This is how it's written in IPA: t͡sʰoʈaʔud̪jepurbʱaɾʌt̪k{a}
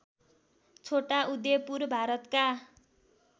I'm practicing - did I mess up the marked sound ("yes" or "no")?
no